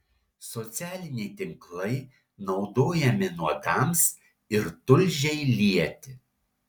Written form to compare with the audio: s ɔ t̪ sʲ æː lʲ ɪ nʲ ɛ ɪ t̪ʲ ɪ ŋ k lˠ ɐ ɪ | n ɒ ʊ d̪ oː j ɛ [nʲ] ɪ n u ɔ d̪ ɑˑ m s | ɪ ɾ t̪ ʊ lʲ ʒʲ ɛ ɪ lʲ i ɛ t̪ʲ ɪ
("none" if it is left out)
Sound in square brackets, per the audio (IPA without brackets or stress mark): mʲ